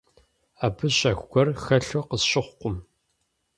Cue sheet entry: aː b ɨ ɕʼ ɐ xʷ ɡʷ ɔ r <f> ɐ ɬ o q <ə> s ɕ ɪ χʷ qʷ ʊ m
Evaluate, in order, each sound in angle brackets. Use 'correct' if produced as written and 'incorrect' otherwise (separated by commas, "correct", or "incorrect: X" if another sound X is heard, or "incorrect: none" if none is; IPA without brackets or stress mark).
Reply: incorrect: x, correct